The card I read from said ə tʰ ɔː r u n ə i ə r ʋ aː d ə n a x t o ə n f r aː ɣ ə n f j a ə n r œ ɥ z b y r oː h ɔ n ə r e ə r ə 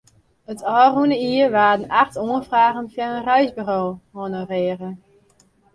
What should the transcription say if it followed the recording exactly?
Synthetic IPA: ə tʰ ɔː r u n ə i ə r ʋ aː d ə n a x t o ə n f r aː ɣ ə n f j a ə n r œ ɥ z b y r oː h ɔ n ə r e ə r ə